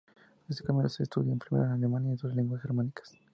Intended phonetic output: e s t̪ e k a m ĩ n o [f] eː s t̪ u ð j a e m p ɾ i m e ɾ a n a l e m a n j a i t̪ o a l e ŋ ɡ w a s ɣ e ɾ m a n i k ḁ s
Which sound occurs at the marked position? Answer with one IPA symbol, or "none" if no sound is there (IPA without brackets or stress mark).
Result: s